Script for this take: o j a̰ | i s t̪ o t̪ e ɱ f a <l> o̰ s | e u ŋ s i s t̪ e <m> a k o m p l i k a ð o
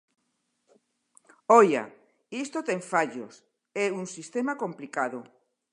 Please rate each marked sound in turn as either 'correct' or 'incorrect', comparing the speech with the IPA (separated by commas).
incorrect, correct